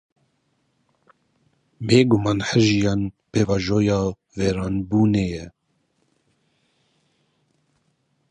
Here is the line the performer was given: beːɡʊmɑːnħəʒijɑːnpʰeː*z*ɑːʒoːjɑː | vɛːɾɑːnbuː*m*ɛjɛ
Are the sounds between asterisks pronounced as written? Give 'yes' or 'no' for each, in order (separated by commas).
no, no